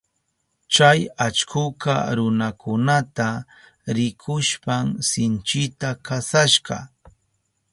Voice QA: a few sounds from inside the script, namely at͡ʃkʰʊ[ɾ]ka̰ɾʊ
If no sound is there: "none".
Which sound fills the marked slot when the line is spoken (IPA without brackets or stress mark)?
none